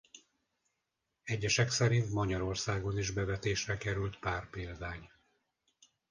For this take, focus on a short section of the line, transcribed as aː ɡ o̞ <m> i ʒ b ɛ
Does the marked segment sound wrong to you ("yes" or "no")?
yes